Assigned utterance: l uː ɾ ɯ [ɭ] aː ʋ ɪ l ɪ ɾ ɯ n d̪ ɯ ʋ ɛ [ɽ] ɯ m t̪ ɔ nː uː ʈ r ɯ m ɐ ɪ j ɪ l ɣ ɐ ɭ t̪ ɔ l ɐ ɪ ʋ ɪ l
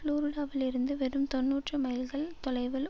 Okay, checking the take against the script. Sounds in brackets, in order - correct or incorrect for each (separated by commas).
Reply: incorrect, incorrect